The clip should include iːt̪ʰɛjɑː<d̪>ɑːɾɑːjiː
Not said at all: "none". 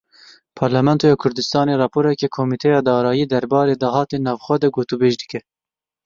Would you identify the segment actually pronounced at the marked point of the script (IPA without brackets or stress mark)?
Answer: d̪